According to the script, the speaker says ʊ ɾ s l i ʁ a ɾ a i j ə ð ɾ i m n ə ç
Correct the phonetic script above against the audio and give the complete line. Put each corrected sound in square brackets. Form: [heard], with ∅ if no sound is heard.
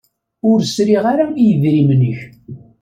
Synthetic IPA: ʊ ɾ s [ɾ] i ʁ a ɾ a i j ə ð ɾ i m n ə ç